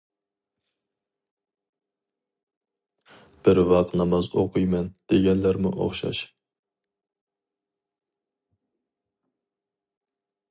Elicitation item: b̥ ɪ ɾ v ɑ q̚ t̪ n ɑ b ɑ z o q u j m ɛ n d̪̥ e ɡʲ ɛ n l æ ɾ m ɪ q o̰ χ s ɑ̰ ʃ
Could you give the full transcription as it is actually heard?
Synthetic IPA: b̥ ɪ ɾ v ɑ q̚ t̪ n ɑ m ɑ z o q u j m ɛ n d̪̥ e ɡʲ ɛ n l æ ɾ m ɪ ʔ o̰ χ ʃ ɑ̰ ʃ